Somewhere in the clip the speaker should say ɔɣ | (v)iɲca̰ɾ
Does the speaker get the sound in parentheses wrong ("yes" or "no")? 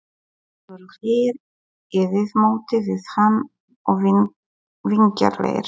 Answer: no